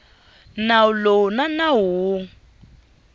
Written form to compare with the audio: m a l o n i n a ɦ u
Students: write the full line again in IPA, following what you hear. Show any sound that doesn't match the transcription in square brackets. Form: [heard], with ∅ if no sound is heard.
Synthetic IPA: [n] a l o n [a] n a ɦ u